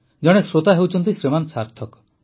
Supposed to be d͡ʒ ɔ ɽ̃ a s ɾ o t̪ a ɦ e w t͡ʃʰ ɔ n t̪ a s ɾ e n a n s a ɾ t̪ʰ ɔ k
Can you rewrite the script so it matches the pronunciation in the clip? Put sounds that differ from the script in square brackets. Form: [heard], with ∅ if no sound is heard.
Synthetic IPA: d͡ʒ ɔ ɽ̃ [e] s ɾ o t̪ a ɦ e w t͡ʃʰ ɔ n t̪ [i] s ɾ e [m] a n s a ɾ t̪ʰ ɔ k